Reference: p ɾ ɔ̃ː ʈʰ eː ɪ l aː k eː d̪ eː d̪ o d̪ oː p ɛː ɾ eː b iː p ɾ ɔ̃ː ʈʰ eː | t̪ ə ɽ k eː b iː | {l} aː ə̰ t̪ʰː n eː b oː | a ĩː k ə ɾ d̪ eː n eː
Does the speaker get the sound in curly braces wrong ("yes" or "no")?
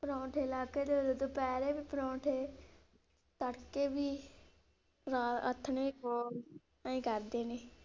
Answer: yes